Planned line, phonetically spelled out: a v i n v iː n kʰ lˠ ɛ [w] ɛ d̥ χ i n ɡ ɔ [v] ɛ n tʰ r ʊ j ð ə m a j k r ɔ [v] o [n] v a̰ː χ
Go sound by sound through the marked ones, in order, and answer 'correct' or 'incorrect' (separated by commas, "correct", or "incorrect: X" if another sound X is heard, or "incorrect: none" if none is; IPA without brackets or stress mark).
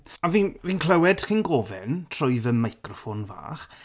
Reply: correct, correct, incorrect: f, correct